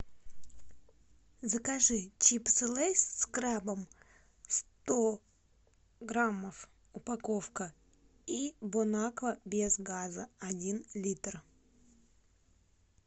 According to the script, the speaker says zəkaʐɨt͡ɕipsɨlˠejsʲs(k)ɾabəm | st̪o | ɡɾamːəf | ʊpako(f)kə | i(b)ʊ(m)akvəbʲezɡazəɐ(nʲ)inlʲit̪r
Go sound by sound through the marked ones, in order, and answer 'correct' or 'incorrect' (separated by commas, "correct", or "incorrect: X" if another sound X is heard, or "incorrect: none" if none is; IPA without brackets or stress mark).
correct, correct, correct, incorrect: n, incorrect: dʲ